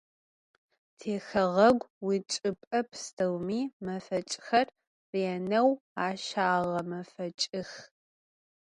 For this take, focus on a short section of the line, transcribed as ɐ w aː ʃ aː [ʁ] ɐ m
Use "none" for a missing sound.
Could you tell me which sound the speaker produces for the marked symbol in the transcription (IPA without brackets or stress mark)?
ʁ